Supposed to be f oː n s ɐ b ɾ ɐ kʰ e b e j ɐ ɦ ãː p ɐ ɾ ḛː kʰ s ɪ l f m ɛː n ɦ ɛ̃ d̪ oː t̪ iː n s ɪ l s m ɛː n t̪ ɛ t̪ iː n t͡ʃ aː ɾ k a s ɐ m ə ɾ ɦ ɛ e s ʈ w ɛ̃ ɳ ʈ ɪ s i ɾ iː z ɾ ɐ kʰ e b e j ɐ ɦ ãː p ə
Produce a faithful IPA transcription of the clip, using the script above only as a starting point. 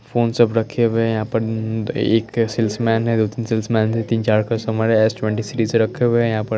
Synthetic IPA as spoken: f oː n s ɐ b ɾ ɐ kʰ e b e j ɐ ɦ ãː p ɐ ɾ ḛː k s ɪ l s m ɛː n ɦ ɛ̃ d̪ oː t̪ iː n s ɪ l s m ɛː n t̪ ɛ t̪ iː n t͡ʃ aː ɾ k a s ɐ m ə ɾ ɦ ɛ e s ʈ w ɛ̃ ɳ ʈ i s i ɾ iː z ɾ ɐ kʰ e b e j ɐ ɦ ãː p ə

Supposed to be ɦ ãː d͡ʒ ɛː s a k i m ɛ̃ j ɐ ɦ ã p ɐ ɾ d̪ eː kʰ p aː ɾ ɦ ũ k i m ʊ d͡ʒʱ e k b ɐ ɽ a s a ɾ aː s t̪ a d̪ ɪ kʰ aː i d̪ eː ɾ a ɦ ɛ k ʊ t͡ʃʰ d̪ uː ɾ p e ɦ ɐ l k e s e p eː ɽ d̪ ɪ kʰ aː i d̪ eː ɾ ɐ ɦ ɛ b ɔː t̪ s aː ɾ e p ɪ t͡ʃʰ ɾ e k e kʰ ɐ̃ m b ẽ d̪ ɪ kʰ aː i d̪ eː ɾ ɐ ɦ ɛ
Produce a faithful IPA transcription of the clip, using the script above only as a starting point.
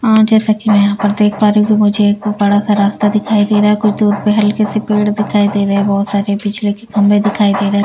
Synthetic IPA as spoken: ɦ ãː d͡ʒ ɛː s a k i m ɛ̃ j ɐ ɦ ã p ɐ ɾ d̪ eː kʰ p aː ɾ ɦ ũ k i m ʊ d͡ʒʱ e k b ɐ ɽ a s a ɾ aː s t̪ a d̪ ɪ kʰ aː i d̪ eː ɾ a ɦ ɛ k ʊ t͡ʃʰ d̪ uː ɾ p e ɦ ɐ l k e s e p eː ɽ d̪ ɪ kʰ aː i d̪ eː ɾ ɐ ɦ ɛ b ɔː t̪ s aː ɾ e p ɪ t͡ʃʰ l e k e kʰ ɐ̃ m b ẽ d̪ ɪ kʰ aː i d̪ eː ɾ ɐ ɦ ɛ

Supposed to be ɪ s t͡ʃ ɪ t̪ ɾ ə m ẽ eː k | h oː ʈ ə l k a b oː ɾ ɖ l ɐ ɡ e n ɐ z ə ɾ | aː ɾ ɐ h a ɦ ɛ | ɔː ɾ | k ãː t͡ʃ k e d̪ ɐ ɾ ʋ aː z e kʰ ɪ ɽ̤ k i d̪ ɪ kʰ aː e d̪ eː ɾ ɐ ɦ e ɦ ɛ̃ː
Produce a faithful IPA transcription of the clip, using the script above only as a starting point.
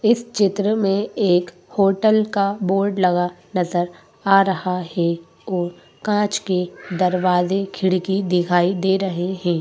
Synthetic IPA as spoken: ɪ s t͡ʃ ɪ t̪ ɾ ə m ẽ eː k | h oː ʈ ə l k a b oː ɾ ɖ l ɐ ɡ a n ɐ z ə ɾ | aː ɾ ɐ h a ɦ ɛ | ɔː ɾ | k ãː t͡ʃ k e d̪ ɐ ɾ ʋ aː z e kʰ ɪ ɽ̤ k i d̪ ɪ kʰ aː i d̪ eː ɾ ɐ ɦ e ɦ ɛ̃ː

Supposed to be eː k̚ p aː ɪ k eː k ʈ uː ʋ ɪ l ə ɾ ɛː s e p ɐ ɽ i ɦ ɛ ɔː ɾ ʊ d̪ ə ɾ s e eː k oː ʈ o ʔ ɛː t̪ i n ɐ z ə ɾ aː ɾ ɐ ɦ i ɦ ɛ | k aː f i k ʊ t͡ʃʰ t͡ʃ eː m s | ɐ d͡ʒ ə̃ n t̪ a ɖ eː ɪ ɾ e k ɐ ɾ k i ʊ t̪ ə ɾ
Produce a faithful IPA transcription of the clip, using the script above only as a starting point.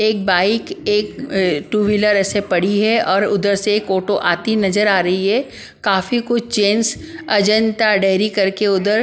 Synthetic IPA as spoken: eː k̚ b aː ɪ k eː k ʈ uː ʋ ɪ l ə ɾ ɛː s e p ɐ ɽ i ɦ ɛ ɔː ɾ ʊ d̪ ə ɾ s e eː k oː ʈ o ʔ aː t̪ i n ɐ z ə ɾ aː ɾ ɐ ɦ i ɦ ɛ | k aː f i k ʊ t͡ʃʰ t͡ʃ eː n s | ɐ d͡ʒ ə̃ n t̪ a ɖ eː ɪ ɾ i k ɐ ɾ k e ʊ d̪ ə ɾ

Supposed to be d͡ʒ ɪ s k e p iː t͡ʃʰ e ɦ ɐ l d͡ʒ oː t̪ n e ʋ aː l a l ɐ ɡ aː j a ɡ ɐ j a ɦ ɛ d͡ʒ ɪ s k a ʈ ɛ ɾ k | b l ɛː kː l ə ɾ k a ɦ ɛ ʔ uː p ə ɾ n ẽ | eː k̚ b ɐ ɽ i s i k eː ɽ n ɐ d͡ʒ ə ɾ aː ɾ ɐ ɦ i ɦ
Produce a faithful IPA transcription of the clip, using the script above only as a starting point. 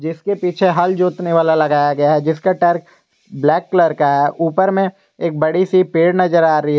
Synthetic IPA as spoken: d͡ʒ ɪ s k e p iː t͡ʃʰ e ɦ ɐ l d͡ʒ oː t̪ n e ʋ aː l a l ɐ ɡ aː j a ɡ ɐ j a ɦ ɛ d͡ʒ ɪ s k a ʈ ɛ ɾ k | b l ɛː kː l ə ɾ k a ɦ ɛ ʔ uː p ə ɾ m ẽ | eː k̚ b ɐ ɽ i s i p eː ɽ n ɐ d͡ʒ ə ɾ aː ɾ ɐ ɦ i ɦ

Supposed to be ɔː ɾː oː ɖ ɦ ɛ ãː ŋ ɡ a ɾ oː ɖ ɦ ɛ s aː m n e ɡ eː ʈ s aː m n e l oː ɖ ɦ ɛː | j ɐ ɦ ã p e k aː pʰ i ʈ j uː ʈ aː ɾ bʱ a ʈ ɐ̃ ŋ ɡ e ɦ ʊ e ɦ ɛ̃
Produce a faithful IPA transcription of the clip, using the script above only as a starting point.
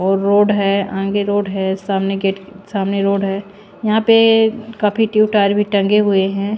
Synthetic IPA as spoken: ɔː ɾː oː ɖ ɦ ɛ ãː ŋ ɡ e ɾ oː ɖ ɦ ɛ s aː m n e ɡ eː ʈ s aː m n e ɾ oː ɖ ɦ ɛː | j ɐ ɦ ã p e k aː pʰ i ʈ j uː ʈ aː ɾ bʱ i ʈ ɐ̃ ŋ ɡ e ɦ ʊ e ɦ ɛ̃

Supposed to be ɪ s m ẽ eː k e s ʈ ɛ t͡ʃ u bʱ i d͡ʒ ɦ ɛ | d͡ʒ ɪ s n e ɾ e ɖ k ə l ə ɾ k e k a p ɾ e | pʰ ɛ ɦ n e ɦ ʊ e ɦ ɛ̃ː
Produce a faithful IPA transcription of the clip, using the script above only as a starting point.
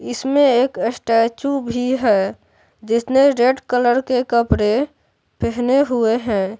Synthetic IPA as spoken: ɪ s m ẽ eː k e s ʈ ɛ t͡ʃ u bʱ i ɦ ɛ | d͡ʒ ɪ s n e ɾ e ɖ k ə l ə ɾ k e k ə p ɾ e | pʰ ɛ ɦ n e ɦ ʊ e ɦ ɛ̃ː

